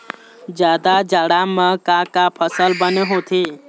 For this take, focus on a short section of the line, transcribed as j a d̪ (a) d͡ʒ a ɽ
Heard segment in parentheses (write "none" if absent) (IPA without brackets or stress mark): a